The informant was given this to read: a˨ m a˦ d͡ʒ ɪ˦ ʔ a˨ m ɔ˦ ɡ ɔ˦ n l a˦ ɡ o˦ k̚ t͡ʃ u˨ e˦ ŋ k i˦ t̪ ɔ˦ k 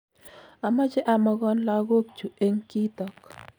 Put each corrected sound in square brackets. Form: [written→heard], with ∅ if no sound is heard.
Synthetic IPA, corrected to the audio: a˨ m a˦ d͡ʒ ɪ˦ ʔ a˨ m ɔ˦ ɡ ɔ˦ n l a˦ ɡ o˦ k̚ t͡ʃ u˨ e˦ ŋ k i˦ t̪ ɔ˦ k